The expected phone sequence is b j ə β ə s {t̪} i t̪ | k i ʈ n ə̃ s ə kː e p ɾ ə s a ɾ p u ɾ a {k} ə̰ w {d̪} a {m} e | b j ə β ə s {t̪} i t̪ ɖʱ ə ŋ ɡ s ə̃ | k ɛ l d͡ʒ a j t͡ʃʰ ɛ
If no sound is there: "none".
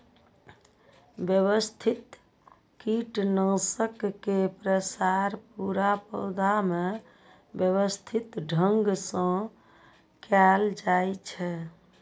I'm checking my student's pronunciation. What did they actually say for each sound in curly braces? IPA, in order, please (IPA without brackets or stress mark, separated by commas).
t̪ʰ, p, d̪, m, t̪ʰ